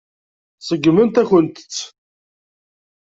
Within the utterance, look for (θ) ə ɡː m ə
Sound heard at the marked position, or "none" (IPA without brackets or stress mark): s